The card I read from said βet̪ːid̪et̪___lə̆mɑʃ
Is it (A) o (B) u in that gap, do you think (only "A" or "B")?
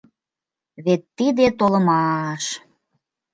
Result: A